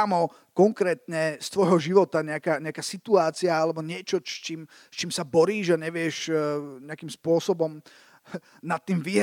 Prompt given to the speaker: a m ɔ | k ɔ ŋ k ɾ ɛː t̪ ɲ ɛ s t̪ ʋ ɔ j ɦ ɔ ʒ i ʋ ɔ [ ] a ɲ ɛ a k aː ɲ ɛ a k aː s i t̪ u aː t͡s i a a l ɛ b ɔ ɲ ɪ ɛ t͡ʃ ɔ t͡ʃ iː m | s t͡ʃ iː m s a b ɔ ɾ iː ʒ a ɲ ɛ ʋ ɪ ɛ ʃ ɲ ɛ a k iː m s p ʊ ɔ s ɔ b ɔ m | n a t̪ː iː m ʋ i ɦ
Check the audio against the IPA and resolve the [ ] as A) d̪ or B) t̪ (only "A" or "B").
B